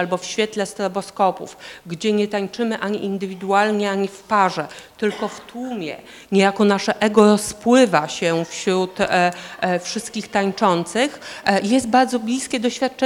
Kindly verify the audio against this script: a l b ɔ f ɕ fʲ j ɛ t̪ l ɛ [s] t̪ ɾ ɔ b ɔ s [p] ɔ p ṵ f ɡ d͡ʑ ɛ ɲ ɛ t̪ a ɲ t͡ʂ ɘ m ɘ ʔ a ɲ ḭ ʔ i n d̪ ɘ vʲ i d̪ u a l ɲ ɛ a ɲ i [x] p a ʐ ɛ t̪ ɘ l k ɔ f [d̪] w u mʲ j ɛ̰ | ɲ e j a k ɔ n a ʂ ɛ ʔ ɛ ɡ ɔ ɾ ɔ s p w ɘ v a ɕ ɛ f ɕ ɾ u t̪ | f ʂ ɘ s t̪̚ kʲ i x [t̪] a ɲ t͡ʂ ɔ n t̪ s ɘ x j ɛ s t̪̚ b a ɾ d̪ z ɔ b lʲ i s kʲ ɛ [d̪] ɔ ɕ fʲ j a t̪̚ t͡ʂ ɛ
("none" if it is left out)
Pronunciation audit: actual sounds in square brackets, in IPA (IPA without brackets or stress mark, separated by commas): s, k, f, t̪, t̪, d̪